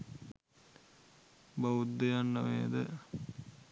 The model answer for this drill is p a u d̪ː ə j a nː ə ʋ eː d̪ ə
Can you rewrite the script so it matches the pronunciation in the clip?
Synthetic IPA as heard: b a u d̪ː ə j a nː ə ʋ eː d̪ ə